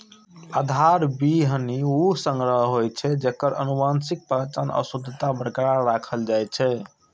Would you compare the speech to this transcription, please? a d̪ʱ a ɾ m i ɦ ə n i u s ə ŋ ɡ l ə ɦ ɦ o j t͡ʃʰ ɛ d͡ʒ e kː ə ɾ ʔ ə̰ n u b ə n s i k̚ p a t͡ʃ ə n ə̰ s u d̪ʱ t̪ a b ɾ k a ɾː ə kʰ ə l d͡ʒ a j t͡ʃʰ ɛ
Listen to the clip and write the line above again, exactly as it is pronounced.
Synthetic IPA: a d̪ʱ a ɾ b i ɦ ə n i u s ə ŋ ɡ ɾ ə ɦ ɦ o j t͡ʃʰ ɛ d͡ʒ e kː ə ɾ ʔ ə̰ n u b a n s i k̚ p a t͡ʃ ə n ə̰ s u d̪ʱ t̪ a b ɾ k a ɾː a kʰ ə l d͡ʒ a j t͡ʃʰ ɛ